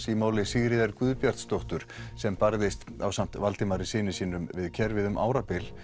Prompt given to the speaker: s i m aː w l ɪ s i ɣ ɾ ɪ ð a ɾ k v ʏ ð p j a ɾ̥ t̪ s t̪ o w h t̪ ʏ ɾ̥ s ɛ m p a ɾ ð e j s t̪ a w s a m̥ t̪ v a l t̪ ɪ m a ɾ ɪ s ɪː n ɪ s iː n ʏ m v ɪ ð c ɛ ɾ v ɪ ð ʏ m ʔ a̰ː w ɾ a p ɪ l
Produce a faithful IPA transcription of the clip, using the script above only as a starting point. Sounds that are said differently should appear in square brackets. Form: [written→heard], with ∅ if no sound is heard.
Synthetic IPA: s i m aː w l ɪ s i ɣ ɾ ɪ ð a ɾ k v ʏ ð p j a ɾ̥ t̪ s t̪ o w h t̪ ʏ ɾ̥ s ɛ m p a ɾ ð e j s t̪ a w s a m̥ t̪ v a l t̪ ɪ m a ɾ ɪ s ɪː n ɪ s iː n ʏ m v ɪ ð [c→cʰ] ɛ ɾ v ɪ ð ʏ m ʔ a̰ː w ɾ a p ɪ l